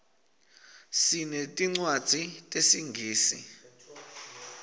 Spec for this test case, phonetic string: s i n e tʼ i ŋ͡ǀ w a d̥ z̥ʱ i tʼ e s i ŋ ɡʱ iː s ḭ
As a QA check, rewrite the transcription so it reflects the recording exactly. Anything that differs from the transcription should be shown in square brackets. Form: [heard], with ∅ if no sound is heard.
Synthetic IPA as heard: s i n e tʼ i ŋ͡ǀ w a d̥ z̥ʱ i tʼ e s i ŋ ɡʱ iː s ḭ